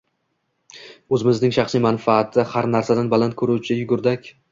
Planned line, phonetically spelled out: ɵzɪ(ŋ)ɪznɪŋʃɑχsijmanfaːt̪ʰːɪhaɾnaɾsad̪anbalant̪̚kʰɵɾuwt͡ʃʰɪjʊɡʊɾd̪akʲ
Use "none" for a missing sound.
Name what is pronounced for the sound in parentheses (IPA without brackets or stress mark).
m